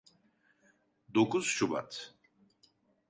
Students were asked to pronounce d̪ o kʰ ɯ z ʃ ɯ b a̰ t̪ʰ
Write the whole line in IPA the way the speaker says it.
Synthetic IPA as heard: d̪ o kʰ u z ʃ u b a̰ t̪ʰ